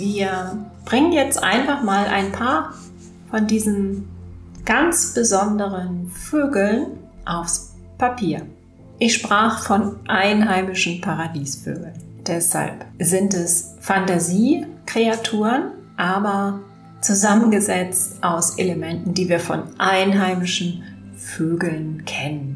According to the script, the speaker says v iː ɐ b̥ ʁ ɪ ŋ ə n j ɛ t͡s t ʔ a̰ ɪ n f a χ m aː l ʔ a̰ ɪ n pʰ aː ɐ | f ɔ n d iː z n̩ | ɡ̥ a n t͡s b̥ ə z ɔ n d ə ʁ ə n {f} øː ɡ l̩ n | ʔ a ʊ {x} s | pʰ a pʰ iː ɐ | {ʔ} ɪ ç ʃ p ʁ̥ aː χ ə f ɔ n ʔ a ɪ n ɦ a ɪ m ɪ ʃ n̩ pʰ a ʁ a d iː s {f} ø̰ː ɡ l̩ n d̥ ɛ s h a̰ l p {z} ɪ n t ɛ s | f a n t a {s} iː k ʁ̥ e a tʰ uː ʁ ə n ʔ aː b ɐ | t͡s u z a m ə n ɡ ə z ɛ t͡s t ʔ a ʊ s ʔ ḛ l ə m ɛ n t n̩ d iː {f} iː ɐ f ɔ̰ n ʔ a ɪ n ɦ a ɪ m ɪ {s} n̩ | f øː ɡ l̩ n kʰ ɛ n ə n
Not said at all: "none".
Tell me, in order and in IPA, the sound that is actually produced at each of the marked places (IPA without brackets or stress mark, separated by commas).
f, f, ʔ, f, z, z, v, ʃ